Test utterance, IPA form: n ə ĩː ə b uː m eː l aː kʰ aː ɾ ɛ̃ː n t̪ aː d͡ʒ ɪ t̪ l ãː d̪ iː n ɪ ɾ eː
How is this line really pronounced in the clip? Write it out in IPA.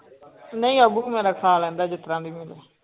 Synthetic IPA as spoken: n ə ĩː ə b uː m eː ɾ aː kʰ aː l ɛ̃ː n d̪ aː d͡ʒ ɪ t̪ ɾ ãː d̪ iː m ɪ l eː